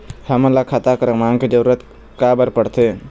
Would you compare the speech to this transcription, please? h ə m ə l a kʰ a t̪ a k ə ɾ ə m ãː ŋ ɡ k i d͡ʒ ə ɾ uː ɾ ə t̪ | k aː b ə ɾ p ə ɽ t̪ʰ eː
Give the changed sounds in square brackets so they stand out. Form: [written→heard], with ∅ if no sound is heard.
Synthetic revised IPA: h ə m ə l a kʰ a t̪ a k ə ɾ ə m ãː ŋ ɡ k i d͡ʒ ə ɾ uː ɾ ə t̪ | k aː b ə ɾ p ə ɽ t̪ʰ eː